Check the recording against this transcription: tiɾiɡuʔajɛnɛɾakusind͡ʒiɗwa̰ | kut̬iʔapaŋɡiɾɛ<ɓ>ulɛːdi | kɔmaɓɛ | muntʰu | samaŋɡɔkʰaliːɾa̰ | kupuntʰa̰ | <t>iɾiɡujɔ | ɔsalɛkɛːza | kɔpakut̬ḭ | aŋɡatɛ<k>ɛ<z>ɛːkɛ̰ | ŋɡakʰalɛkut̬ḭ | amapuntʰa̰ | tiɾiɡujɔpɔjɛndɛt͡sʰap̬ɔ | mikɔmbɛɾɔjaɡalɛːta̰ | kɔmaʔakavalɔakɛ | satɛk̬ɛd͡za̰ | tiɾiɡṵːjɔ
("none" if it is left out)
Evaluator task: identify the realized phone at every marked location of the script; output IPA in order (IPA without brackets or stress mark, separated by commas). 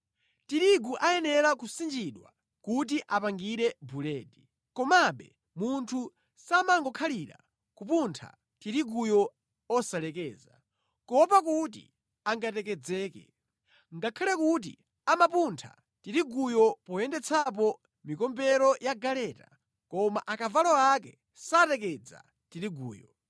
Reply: b, t, k, d͡z